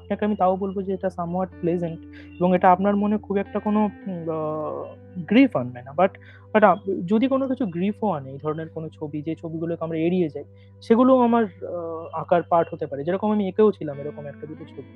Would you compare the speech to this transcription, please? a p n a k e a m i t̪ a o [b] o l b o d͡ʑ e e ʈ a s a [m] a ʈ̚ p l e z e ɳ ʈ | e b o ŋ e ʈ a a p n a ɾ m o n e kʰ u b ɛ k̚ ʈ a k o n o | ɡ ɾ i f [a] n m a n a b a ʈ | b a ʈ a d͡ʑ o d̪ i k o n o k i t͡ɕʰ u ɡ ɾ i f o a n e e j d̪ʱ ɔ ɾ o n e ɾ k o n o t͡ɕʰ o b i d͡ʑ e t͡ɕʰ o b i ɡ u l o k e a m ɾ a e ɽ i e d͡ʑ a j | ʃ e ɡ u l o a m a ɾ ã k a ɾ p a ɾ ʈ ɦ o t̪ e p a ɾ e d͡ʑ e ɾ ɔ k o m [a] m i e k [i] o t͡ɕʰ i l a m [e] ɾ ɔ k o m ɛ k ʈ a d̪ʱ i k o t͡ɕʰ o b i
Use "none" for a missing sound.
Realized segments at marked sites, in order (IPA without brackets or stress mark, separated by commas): b, m, a, a, e, e